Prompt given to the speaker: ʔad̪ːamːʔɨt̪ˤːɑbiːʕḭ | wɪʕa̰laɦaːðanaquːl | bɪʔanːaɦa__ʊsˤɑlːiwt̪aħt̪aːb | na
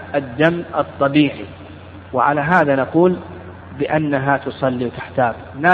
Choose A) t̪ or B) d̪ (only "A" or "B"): A